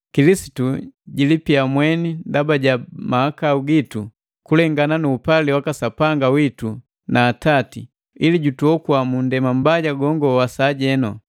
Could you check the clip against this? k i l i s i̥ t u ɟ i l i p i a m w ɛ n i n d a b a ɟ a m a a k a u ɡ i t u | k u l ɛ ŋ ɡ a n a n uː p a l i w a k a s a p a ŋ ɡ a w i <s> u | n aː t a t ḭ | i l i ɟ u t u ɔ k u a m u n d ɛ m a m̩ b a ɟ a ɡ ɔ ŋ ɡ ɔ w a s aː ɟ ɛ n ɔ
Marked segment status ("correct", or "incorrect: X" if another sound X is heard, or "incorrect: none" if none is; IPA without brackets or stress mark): incorrect: t